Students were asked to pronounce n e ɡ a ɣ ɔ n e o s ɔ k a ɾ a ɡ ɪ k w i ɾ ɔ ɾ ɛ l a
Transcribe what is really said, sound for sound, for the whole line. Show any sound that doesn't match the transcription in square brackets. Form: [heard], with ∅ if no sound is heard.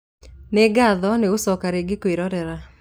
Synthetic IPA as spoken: n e ɡ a [ð] ɔ n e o s ɔ k a ɾ [e] ɡ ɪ k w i ɾ ɔ ɾ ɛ [ɾ] a